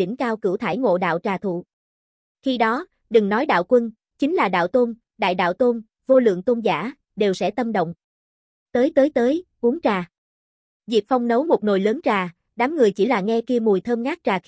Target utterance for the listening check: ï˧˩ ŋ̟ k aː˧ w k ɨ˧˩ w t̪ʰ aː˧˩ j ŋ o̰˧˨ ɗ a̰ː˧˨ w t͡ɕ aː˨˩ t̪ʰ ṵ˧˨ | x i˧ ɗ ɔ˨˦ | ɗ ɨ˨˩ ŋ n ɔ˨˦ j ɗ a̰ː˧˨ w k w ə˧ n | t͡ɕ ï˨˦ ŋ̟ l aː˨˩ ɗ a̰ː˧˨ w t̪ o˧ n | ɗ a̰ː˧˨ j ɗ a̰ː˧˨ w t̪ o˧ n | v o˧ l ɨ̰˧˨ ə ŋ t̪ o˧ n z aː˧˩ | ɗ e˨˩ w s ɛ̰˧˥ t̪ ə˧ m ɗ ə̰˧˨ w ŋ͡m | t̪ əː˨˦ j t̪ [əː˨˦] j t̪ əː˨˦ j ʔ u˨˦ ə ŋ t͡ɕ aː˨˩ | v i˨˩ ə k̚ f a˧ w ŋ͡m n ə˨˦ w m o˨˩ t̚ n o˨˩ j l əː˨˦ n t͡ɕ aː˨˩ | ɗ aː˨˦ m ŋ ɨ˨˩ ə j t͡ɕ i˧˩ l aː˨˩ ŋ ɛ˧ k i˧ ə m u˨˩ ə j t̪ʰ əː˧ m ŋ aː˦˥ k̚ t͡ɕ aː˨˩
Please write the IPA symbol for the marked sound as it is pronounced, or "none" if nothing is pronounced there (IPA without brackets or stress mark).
əː˨˦